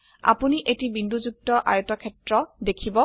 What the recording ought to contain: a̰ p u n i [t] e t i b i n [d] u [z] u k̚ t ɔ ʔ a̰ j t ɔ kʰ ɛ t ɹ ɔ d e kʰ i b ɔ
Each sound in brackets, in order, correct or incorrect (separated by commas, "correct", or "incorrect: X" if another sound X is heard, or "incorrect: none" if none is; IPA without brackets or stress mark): incorrect: ʔ, correct, correct